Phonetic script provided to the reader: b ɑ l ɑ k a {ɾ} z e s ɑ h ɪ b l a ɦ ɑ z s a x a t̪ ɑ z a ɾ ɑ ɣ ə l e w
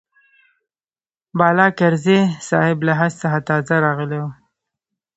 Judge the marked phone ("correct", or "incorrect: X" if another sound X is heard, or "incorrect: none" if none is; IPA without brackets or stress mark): correct